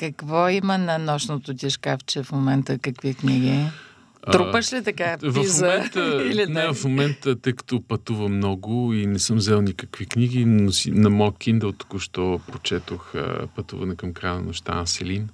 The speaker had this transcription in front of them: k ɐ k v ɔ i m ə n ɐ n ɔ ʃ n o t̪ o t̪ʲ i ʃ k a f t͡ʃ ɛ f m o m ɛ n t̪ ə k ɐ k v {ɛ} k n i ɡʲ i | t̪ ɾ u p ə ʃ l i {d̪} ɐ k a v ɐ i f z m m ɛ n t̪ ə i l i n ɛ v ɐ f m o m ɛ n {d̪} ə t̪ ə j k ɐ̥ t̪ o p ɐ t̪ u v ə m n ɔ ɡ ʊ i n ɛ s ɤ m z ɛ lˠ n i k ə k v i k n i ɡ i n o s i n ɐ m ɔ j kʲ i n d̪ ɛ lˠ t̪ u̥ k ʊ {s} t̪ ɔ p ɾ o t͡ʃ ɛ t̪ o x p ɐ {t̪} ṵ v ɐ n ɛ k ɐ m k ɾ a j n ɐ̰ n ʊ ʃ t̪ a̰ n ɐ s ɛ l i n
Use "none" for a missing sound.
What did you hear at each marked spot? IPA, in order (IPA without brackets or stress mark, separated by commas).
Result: i, t̪, t̪, ʃ, t̪